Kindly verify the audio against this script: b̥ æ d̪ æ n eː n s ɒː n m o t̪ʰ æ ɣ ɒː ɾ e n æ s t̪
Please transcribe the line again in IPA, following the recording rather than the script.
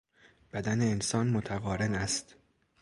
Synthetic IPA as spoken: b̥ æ d̪ æ n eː n s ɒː n m o t̪ʰ æ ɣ ɒː ɾ e n æ s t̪

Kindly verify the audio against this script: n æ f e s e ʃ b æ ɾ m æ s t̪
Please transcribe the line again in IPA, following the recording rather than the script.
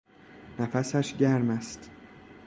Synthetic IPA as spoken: n æ f æ s æ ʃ ɟ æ ɾ m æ s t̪

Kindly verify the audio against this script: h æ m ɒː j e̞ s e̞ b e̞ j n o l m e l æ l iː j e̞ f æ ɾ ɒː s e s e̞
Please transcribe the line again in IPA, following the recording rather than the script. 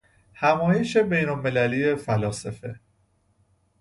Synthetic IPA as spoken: h æ m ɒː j e̞ ʃ e̞ b e̞ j n o l m e l æ l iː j e̞ f æ l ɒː s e f e̞

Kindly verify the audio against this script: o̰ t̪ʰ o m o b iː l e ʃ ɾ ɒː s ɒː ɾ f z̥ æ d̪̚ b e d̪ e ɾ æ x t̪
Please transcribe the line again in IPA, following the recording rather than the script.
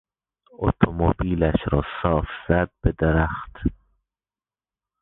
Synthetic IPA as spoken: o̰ t̪ʰ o m o b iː l æ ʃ ɾ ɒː s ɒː f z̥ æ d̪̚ b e d̪ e ɾ æ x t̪

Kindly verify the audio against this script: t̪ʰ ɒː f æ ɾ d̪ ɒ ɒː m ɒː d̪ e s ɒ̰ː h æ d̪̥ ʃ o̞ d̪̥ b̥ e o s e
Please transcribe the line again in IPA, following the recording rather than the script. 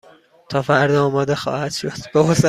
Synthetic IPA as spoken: t̪ʰ ɒː f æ ɾ d̪ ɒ ɒː m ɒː d̪ e x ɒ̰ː h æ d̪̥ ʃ o̞ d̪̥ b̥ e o s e

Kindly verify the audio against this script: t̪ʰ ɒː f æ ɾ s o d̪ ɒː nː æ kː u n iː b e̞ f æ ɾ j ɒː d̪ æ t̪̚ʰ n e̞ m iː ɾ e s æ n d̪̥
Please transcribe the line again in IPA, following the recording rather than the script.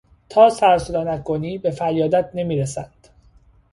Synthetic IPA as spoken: t̪ʰ ɒː s æ ɾ s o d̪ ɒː n æ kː o n iː b e̞ f æ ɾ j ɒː d̪ æ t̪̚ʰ n e̞ m iː ɾ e s æ n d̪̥

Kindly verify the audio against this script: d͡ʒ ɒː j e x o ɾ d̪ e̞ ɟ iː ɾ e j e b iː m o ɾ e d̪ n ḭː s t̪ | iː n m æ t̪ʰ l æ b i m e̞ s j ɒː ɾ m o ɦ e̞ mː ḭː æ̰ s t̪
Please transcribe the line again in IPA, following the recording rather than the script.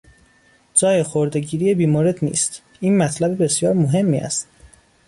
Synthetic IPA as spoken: d͡ʒ ɒː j e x o ɾ d̪ e̞ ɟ iː ɾ i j e b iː m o ɾ e d̪ n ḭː s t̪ | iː n m æ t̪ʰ l æ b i b e̞ s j ɒː ɾ m o ɦ e̞ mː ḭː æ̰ s t̪

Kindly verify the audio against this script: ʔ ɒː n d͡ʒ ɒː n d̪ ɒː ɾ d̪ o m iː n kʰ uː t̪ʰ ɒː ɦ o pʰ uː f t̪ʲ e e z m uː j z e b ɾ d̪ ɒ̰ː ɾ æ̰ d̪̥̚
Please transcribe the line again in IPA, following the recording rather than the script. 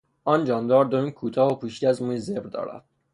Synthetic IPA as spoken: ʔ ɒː n d͡ʒ ɒː n d̪ ɒː ɾ d̪ o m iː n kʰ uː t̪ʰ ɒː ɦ o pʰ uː ʃ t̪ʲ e æ z m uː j z e b ɾ d̪ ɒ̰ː ɾ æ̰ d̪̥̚

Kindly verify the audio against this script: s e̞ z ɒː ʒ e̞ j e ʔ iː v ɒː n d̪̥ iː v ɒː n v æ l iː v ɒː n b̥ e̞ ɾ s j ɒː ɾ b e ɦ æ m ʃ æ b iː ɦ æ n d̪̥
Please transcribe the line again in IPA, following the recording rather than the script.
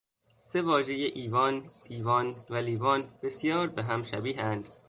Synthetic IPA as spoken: s e̞ v ɒː ʒ e̞ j e ʔ iː v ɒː n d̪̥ iː v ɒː n v æ l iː v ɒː n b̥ e̞ s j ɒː ɾ b e ɦ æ m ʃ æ b iː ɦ æ n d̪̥

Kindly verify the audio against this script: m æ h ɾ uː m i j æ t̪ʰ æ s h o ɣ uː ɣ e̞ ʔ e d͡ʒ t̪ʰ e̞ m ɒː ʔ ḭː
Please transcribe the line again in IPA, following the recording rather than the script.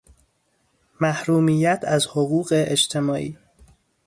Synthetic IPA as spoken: m æ h ɾ uː m i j æ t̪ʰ æ z h o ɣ uː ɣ e̞ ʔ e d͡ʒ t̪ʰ e̞ m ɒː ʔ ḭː

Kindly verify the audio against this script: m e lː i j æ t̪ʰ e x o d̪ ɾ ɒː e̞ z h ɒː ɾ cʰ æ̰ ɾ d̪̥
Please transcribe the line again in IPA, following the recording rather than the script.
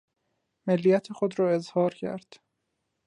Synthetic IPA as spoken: m e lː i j æ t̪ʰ e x o d̪ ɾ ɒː e̞ z h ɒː ɾ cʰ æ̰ ɾ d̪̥

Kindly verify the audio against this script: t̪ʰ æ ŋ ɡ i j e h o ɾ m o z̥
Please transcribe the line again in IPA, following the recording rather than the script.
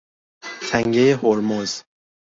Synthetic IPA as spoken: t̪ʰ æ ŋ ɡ e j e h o ɾ m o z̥

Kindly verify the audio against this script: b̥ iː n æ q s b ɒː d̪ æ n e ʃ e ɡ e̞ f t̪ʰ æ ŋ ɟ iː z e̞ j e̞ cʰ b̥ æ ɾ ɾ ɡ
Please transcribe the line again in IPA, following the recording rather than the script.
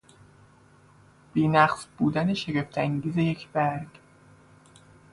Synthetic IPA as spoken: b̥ iː n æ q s b uː d̪ æ n e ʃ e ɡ e̞ f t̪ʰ æ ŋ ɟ iː z e̞ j e̞ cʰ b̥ æ ɾ ɾ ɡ

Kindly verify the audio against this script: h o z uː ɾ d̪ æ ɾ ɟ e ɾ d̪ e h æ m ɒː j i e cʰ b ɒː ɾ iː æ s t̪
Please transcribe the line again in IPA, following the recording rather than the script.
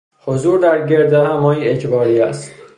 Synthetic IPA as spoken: h o z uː ɾ d̪ æ ɾ ɟ e ɾ d̪ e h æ m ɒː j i e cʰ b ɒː ɾ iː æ s t̪

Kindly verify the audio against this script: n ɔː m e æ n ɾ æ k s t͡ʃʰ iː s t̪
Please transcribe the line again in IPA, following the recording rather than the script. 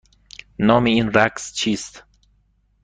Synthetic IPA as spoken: n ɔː m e i n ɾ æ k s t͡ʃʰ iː s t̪

